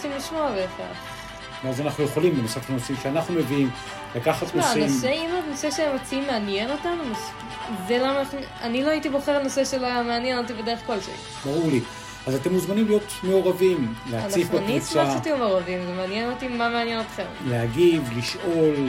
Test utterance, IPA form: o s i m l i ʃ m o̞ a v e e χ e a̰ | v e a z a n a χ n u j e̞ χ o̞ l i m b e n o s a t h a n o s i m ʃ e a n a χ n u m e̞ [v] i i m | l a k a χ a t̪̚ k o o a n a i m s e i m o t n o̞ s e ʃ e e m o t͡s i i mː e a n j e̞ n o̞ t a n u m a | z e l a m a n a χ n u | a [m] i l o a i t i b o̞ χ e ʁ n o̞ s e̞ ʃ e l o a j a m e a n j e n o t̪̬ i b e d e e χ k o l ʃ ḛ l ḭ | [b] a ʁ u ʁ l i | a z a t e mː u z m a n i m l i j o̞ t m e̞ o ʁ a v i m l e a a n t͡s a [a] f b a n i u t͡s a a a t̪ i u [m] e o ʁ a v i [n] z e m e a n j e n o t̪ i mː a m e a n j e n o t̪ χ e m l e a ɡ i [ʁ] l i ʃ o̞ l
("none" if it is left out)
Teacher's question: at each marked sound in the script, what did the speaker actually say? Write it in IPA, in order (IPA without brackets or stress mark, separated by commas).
v, n, b, i, m, m, v